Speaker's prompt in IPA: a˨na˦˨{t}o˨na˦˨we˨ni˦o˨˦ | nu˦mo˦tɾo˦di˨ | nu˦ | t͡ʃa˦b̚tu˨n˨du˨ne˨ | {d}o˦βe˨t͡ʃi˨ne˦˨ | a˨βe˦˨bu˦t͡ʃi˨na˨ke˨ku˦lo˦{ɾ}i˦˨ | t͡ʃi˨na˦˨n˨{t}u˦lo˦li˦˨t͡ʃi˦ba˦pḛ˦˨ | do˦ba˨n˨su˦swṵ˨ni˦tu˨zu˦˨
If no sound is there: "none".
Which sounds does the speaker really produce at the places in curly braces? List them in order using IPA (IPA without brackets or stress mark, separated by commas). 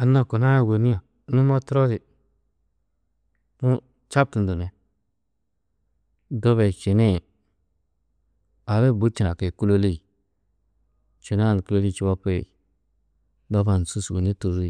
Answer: k, d, l, k